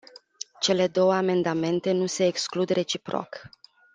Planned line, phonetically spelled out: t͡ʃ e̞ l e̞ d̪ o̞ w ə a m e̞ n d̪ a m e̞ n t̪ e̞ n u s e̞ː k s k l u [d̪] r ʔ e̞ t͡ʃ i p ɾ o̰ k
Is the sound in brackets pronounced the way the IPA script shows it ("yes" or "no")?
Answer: yes